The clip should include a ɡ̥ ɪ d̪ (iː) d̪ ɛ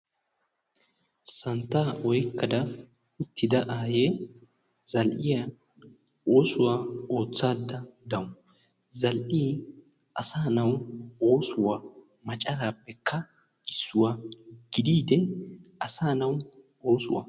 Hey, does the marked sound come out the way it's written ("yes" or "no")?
yes